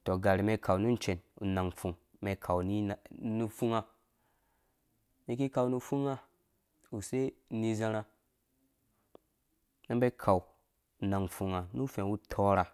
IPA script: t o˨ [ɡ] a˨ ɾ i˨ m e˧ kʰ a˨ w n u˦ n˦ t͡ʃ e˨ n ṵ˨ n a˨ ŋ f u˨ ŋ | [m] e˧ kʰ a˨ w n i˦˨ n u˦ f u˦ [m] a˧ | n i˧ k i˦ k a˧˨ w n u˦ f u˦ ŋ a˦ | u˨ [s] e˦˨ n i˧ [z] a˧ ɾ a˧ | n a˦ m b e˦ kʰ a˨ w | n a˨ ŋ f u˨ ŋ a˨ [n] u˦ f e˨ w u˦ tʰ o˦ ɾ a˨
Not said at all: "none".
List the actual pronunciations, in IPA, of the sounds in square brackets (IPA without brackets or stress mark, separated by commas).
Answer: ɡ, m, ŋ, s, z, n